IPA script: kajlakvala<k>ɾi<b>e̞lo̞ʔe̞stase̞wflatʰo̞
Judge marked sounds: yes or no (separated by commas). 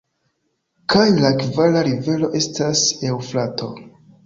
no, no